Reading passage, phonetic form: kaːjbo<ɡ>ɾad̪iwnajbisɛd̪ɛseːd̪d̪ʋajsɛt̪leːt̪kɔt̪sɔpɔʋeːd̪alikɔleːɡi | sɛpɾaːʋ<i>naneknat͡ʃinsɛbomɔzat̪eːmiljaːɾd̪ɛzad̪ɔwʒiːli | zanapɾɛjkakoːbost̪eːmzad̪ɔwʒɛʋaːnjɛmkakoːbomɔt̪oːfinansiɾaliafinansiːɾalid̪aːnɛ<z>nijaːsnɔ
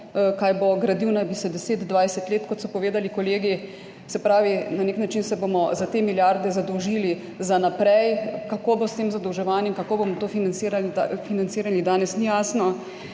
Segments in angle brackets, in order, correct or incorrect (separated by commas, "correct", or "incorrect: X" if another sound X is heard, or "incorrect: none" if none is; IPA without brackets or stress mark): correct, correct, incorrect: s